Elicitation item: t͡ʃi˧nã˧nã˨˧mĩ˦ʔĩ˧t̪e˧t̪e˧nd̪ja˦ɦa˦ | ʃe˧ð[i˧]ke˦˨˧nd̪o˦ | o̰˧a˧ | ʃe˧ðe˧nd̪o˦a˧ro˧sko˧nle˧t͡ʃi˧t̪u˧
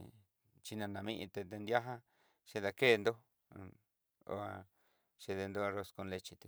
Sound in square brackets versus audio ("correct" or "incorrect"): incorrect